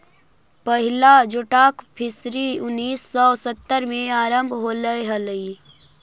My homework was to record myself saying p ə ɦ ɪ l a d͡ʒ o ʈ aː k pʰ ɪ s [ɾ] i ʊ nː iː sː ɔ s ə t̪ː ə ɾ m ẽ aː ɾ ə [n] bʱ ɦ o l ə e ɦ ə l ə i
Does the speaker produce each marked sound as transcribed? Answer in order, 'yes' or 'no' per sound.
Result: yes, no

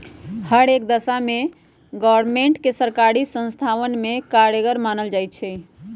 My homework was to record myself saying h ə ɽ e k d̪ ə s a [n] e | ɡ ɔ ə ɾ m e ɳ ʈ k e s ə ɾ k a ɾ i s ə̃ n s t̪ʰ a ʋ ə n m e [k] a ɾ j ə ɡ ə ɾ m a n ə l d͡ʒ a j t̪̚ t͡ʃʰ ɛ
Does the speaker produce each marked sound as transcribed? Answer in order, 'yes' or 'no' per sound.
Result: no, yes

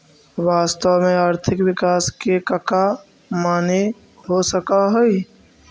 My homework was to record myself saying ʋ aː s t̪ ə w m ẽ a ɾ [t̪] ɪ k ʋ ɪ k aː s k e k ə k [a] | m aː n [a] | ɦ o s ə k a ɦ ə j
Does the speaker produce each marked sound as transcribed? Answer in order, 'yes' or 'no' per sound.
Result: no, yes, no

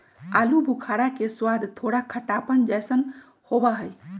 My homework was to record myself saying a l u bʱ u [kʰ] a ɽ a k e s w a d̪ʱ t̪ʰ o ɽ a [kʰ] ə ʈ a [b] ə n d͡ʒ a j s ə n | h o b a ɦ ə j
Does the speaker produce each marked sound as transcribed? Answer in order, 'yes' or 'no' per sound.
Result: yes, yes, no

